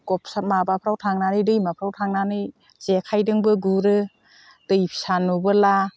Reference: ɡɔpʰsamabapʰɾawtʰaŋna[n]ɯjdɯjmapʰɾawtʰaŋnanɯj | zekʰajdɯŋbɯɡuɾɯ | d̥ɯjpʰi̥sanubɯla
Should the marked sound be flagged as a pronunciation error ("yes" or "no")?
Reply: no